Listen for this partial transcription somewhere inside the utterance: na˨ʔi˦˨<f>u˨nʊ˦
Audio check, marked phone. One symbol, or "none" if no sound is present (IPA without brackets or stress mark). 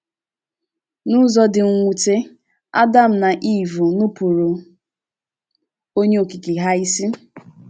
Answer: v